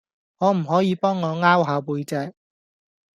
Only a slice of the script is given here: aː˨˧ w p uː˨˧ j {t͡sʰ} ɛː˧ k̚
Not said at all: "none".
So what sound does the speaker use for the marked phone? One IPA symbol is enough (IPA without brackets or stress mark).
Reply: t͡s